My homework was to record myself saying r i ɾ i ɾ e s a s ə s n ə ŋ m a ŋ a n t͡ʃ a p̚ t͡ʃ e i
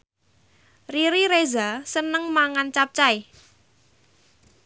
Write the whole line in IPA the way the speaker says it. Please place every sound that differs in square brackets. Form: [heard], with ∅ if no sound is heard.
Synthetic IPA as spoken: r i ɾ i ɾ e [z] a s ə [∅] n ə ŋ m a ŋ a n t͡ʃ a p̚ t͡ʃ [a] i